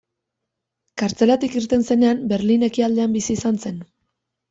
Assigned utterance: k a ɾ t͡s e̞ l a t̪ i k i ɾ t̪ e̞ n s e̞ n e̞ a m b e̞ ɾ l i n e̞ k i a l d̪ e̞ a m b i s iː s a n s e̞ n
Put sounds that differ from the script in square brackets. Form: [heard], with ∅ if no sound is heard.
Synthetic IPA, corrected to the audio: k a ɾ t͡s e̞ l a t̪ i k i ɾ t̪ e̞ n s e̞ n e̞ a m b e̞ ɾ l i n e̞ k i a l d̪ e̞ a m b i s iː s a n s e̞ n